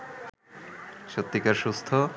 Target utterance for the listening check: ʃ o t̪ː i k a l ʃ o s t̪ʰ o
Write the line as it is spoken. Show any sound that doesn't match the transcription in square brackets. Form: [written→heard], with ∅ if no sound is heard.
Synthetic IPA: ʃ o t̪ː i k a [l→ɾ] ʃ [o→u] s t̪ʰ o